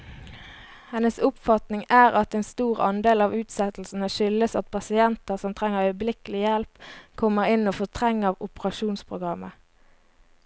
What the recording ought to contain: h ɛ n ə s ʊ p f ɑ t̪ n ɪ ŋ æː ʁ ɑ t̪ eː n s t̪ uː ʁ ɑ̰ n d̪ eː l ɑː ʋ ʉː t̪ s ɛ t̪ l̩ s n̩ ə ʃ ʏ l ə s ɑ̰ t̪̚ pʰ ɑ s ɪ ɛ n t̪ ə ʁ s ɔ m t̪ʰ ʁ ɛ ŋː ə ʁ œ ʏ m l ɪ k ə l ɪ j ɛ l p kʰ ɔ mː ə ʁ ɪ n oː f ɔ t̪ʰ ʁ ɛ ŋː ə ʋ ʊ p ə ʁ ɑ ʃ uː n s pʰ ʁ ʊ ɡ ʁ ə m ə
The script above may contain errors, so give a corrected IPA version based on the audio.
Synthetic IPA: h ɛ n ə s ʊ p f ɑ t̪ n ɪ ŋ æː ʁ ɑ t̪ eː n s t̪ uː ʁ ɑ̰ n d̪ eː l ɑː ʋ ʉː t̪ s ɛ t̪ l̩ s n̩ ə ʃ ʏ l ə s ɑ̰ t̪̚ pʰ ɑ s ɪ ɛ n t̪ ə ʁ s ɔ m t̪ʰ ʁ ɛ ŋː ə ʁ œ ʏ b l ɪ k ə l ɪ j ɛ l p kʰ ɔ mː ə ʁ ɪ n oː f ɔ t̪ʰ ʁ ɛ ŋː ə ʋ ʊ p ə ʁ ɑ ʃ uː n s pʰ ʁ ʊ ɡ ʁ ɑ m ə